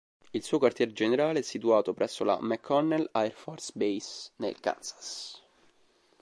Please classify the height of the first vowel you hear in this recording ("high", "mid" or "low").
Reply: high